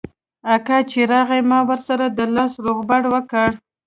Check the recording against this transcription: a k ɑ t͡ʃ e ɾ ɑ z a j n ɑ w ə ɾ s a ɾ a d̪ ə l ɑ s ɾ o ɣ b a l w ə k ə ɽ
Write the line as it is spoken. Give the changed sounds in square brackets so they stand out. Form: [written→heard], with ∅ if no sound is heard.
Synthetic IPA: a k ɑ t͡ʃ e ɾ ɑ [z→ɣ] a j [n→m] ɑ w ə ɾ s a ɾ a d̪ ə l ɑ s ɾ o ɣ b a [l→ɽ] w ə k ə ɽ